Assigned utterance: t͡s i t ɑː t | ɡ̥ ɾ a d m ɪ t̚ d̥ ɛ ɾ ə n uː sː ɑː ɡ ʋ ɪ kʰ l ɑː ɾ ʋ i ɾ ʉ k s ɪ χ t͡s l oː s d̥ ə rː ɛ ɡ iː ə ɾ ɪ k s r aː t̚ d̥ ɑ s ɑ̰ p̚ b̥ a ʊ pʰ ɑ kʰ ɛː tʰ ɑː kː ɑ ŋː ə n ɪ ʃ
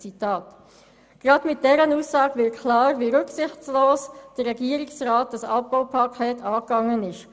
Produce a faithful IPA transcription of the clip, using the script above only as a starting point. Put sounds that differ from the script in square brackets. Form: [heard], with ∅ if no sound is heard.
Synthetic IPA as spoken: t͡s i t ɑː t | ɡ̥ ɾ [ɑ] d m ɪ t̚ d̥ ɛ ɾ ə n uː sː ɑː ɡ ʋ ɪ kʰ l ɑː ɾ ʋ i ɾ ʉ k s ɪ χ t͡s l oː s d̥ ə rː ɛ ɡ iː ə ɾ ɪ k s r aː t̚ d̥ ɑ s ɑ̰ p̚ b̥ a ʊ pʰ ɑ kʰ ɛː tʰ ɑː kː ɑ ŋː ə n ɪ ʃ